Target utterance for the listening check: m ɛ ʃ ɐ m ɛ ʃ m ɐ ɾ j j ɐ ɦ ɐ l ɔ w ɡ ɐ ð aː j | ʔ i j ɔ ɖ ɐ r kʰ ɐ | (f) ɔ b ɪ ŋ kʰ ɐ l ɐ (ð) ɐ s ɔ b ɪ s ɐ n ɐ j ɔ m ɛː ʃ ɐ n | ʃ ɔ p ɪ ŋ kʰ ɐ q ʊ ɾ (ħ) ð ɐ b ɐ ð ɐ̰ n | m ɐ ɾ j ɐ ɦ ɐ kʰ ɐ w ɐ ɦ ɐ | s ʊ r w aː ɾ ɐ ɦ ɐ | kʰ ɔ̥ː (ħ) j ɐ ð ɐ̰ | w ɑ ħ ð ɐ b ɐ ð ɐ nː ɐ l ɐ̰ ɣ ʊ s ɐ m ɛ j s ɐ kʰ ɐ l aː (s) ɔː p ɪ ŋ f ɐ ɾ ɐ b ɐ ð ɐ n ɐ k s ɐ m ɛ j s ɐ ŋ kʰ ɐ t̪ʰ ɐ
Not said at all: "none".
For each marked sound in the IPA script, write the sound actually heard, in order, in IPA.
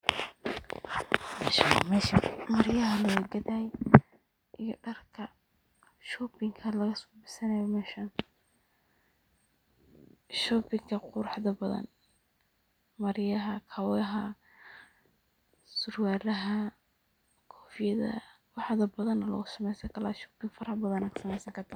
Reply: ʃ, ɣ, ħ, f, ʃ

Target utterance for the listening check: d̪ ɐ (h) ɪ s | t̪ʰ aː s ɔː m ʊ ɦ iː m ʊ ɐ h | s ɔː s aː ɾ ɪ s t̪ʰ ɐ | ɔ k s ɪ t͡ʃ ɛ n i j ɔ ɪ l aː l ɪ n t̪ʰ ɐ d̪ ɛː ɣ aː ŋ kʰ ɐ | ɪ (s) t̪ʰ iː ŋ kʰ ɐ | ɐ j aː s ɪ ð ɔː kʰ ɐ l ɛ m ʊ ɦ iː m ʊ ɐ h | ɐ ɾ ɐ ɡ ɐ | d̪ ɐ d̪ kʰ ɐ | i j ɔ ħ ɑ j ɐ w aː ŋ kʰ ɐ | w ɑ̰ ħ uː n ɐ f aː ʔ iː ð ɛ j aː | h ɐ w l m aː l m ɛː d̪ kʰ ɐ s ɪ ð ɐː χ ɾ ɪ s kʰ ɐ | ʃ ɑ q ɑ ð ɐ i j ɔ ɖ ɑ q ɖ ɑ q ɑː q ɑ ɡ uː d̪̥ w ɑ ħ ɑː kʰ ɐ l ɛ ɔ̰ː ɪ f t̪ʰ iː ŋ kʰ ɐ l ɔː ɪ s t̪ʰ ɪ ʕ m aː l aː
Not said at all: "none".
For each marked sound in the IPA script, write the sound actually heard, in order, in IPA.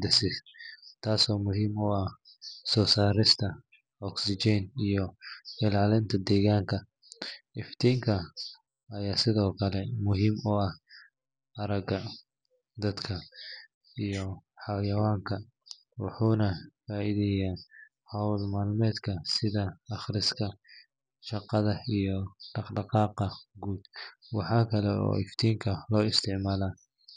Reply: s, f

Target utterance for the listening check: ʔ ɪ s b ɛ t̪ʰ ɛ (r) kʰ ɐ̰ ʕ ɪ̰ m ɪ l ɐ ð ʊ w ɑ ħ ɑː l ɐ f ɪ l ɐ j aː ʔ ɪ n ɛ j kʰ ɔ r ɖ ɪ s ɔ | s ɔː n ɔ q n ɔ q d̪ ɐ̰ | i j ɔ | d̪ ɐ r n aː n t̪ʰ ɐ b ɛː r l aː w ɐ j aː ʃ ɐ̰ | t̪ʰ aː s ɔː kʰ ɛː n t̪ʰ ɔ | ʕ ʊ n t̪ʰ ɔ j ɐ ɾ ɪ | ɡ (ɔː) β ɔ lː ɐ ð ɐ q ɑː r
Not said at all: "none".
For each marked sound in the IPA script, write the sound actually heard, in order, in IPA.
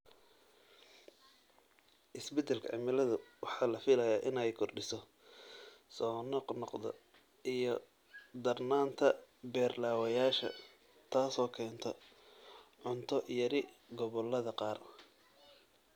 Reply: l, ɔ

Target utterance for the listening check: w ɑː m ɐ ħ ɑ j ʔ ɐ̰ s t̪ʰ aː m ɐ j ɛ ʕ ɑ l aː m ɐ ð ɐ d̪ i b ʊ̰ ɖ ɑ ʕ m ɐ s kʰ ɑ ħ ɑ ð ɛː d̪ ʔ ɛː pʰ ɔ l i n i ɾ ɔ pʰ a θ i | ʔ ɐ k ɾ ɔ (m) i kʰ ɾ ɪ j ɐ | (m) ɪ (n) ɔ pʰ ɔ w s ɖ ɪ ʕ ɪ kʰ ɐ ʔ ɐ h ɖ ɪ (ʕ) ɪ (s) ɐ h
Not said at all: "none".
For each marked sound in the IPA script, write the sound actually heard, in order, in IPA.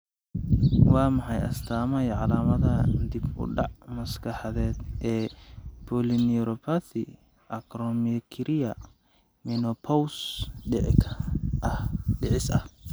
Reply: m, m, n, ʕ, s

